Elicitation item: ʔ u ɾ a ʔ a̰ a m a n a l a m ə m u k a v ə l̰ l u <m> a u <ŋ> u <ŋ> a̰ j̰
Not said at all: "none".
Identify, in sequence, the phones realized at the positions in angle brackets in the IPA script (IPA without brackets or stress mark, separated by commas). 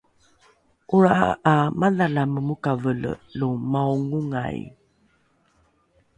m, ŋ, ŋ